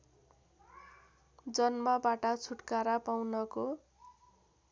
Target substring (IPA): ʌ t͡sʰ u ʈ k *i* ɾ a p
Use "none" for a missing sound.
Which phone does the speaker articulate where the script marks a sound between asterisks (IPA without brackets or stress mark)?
a